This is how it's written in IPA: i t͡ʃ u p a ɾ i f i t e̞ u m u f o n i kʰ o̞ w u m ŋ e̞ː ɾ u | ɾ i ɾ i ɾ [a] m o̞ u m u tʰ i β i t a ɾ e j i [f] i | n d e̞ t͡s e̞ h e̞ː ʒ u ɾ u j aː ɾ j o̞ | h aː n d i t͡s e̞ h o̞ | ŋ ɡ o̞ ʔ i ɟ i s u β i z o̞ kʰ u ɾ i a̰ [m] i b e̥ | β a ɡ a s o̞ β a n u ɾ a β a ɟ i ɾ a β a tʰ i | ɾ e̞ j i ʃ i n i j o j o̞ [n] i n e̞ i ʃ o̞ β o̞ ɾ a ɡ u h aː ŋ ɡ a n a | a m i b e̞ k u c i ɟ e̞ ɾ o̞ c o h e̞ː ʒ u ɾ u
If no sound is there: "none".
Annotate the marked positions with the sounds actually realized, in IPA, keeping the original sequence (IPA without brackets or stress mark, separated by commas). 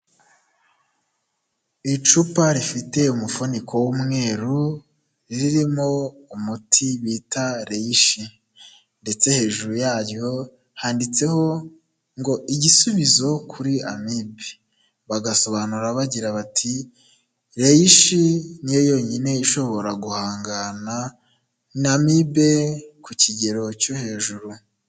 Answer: i, ʃ, m, ɲ